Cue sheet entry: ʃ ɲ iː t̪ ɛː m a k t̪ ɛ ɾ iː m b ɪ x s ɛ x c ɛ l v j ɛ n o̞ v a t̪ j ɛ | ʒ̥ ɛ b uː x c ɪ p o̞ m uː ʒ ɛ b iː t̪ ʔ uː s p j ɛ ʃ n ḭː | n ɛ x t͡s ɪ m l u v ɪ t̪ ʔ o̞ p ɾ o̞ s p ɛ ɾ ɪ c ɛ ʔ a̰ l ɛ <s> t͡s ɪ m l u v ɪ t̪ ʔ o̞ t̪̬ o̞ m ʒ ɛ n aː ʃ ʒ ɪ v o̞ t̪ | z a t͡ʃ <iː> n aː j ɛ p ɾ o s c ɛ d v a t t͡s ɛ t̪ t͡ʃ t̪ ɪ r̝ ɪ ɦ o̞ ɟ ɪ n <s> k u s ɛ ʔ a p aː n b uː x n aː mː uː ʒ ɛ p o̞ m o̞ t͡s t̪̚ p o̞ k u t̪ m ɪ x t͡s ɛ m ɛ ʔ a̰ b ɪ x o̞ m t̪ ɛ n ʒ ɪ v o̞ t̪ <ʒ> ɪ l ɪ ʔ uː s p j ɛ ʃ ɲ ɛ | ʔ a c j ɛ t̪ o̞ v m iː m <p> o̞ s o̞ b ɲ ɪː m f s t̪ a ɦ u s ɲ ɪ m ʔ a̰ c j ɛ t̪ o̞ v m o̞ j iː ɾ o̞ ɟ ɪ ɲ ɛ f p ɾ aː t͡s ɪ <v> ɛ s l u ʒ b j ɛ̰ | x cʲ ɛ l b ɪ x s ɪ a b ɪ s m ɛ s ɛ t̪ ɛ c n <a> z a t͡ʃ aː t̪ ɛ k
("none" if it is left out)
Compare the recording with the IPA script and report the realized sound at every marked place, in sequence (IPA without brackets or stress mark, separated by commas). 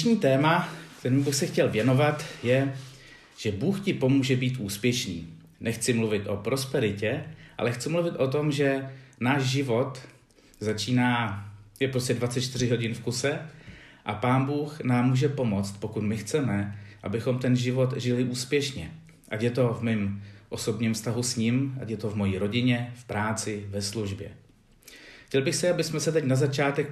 x, iː, f, ʒ, ʔ, v, a